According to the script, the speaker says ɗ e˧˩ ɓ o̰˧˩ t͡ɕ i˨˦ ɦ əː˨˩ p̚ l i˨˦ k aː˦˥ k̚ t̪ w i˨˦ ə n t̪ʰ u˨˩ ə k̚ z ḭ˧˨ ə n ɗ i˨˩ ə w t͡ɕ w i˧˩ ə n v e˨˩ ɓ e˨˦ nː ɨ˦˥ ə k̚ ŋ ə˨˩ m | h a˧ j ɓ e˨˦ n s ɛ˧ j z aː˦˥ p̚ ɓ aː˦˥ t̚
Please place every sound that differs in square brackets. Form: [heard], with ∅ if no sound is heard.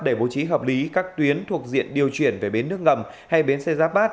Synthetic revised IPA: ɗ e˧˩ ɓ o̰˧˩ t͡ɕ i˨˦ ɦ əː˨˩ p̚ l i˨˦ k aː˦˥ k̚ t̪ w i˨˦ ə n t̪ʰ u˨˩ ə k̚ z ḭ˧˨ ə n ɗ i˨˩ ə w t͡ɕ w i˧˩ ə n v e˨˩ ɓ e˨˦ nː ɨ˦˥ ə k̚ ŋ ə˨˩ m | h a˧ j ɓ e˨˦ n s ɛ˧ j z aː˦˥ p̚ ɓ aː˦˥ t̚